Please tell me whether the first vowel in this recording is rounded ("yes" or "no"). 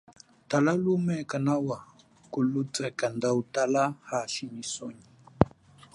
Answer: no